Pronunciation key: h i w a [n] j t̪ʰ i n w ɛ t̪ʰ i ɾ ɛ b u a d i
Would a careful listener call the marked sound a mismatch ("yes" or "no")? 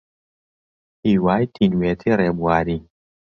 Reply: yes